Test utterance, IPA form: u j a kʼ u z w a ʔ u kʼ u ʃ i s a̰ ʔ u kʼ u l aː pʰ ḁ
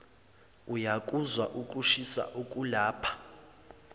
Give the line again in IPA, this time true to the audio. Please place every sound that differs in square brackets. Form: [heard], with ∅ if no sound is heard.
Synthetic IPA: u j a kʼ u z w a ʔ u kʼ u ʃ i s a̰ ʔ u kʼ u l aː pʰ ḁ